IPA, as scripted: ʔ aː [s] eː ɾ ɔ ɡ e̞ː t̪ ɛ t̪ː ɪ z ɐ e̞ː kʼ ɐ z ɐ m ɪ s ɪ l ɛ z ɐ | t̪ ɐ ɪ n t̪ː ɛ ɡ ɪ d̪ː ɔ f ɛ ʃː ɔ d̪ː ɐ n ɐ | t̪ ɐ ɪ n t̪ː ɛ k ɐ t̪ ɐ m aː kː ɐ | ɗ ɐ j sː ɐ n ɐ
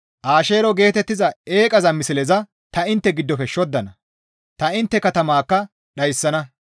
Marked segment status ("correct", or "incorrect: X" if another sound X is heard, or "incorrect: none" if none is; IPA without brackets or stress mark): incorrect: ʃ